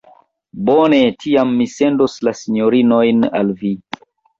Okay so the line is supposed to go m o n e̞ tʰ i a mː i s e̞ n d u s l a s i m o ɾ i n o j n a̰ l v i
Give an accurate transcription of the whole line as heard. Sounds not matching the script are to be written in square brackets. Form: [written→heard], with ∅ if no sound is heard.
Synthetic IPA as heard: [m→b] o n e̞ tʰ i a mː i s e̞ n d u s l a s i [m→ɲ] o ɾ i n o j n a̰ l v i